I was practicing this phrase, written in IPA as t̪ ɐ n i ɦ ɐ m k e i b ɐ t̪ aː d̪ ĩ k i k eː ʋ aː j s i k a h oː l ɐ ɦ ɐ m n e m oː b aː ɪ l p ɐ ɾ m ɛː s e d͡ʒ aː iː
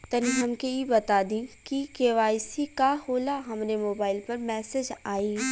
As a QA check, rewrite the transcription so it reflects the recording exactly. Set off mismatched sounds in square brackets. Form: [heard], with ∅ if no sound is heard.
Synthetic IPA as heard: t̪ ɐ n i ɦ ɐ m k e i b ɐ t̪ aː d̪ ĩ k i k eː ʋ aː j s i k a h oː l [a] ɦ ɐ m n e m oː b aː ɪ l p ɐ ɾ m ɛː s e d͡ʒ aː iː